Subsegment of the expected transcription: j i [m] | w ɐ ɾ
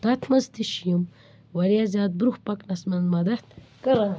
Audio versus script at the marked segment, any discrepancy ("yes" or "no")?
no